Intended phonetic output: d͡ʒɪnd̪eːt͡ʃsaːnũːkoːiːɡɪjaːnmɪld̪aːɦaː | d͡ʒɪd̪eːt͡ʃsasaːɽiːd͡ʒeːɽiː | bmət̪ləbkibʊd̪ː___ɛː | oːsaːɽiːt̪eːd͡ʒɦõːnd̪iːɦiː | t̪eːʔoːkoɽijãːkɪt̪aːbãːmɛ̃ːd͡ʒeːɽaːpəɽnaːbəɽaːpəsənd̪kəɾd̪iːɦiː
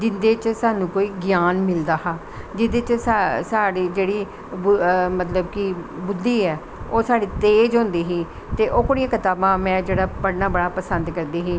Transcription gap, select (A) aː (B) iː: B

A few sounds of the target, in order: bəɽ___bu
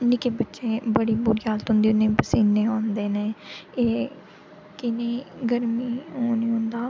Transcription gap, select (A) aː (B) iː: B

